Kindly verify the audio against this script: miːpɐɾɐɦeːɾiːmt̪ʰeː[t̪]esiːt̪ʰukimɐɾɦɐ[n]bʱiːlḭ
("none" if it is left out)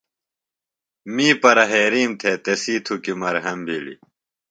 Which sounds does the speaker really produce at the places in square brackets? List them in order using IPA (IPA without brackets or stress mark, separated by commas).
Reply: t̪, m